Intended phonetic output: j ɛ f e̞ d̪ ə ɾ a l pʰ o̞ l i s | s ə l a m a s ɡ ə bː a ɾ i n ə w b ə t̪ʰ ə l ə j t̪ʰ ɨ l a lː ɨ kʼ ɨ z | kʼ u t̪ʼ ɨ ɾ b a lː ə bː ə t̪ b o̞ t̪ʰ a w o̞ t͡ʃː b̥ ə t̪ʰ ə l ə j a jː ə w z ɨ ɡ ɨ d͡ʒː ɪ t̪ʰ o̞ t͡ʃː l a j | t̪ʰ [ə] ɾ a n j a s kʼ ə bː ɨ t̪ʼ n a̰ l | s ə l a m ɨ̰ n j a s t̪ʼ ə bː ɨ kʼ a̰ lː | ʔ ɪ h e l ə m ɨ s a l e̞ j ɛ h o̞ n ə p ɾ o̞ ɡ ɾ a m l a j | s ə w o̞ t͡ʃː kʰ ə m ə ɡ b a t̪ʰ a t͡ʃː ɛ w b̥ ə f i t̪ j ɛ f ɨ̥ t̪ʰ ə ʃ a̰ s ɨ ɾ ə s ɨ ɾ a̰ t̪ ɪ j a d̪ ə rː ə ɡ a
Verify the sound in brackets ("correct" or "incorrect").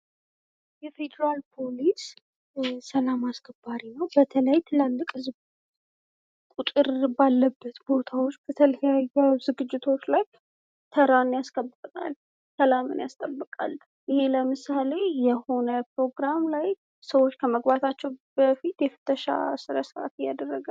correct